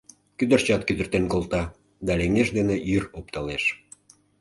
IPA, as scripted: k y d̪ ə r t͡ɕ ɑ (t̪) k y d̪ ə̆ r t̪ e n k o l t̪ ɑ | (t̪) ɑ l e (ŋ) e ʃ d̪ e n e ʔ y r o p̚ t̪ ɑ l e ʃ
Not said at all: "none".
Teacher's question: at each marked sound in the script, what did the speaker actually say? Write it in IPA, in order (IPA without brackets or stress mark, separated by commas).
t̪, d̪, ŋ